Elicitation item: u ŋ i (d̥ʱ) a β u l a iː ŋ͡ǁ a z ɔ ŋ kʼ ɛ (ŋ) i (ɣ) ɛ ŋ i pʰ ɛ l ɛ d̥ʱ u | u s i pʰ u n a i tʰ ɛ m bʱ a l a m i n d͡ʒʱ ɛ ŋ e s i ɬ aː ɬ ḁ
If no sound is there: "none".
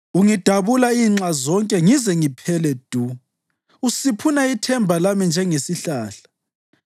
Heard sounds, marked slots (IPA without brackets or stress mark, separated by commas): d̥ʱ, ŋ, z